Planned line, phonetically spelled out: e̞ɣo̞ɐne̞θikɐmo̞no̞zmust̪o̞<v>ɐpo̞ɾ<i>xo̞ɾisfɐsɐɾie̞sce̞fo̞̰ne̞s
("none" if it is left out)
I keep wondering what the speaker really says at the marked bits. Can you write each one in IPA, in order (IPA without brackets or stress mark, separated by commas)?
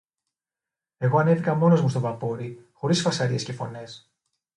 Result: v, i